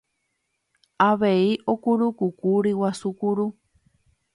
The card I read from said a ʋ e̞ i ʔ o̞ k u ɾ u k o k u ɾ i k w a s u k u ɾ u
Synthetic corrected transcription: a ʋ e̞ i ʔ o̞ k u ɾ u k u k u ɾ i w a s u k u ɾ u